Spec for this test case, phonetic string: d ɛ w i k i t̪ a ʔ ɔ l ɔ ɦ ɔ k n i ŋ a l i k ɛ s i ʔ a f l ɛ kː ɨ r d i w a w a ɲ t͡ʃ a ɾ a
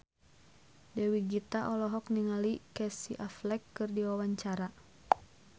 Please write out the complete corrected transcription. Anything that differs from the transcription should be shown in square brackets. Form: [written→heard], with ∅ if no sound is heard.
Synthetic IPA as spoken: d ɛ w i [k→ɡ] i t̪ a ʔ ɔ l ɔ ɦ ɔ k n i ŋ a l i k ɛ s i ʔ a f l ɛ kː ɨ r d i w a w a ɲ t͡ʃ a ɾ a